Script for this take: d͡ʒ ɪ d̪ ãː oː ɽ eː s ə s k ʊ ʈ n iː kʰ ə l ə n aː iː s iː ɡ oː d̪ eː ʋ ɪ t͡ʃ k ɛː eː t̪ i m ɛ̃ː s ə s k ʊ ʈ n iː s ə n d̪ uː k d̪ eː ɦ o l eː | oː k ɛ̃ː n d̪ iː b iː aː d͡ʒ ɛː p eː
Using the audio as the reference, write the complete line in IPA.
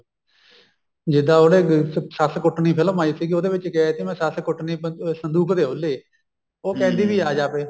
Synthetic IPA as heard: d͡ʒ ɪ d̪ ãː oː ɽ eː s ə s k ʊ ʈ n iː pʰ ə l ə m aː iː s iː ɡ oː d̪ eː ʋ ɪ t͡ʃ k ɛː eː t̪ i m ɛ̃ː s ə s k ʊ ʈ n iː s ə n d̪ uː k d̪ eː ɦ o l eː | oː k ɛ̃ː n d̪ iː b iː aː d͡ʒ aː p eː